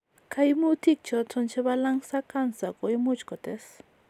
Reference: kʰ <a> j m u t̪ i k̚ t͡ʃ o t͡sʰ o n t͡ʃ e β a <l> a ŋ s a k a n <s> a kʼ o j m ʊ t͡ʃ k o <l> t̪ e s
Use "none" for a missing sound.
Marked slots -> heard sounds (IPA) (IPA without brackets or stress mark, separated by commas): a, l, s, none